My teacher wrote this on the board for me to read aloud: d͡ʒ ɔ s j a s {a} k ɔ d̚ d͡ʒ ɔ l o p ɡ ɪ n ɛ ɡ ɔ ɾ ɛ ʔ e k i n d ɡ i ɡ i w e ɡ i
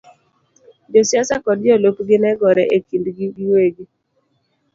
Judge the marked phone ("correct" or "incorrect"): correct